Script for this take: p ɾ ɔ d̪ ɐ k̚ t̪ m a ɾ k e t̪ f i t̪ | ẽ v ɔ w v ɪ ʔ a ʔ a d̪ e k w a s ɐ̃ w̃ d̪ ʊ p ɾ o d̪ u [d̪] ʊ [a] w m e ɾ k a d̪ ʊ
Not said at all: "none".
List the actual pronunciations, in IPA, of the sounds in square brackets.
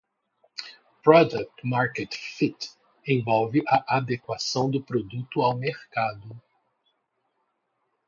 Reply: t̪, a

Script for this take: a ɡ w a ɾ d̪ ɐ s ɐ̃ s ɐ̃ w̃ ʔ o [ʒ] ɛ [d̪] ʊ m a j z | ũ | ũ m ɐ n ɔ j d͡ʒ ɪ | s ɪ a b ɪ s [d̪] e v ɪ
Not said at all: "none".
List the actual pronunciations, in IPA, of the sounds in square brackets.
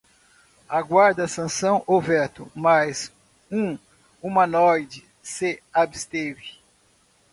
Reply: v, t̪, t̪

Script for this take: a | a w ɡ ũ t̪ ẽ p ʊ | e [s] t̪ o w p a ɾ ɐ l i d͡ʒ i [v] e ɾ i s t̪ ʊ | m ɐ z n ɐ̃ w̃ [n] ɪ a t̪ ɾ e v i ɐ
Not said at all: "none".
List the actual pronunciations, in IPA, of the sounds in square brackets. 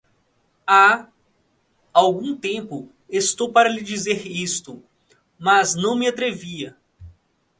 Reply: s, z, m

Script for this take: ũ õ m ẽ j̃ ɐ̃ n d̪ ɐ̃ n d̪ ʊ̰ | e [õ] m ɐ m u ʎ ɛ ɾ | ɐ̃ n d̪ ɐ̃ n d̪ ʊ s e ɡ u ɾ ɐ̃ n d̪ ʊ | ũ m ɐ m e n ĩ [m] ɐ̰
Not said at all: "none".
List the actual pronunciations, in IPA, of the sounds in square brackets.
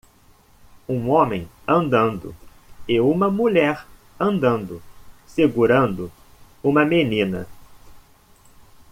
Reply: ũ, n

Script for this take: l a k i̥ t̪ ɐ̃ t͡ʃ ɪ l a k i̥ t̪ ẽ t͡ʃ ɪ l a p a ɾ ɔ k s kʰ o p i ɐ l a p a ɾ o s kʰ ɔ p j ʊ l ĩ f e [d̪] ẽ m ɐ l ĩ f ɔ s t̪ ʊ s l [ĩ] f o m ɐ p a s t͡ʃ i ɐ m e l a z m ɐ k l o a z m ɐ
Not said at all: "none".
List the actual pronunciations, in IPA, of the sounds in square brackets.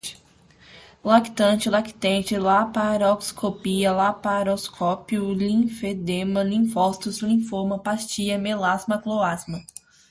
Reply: d̪, ĩ

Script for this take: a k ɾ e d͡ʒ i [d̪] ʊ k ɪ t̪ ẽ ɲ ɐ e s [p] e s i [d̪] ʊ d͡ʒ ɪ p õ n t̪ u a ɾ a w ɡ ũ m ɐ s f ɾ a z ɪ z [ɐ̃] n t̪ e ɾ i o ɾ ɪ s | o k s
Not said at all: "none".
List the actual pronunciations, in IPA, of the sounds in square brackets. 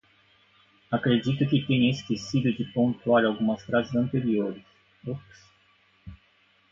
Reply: t̪, k, d̪, ɐ̃

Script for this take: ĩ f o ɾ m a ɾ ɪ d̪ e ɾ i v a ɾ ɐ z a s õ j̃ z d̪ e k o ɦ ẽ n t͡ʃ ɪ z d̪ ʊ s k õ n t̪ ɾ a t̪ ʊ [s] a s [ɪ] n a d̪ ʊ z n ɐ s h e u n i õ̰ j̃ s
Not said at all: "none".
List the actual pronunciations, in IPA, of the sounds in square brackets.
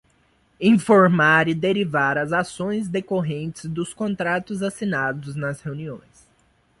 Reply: z, i

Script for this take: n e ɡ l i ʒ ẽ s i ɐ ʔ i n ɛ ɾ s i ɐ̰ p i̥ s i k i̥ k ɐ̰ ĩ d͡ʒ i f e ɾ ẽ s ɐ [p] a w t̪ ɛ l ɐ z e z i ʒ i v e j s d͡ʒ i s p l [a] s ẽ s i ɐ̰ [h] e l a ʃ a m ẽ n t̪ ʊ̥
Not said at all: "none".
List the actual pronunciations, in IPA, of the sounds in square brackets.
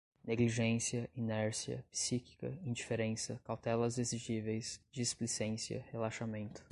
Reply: k, i, h

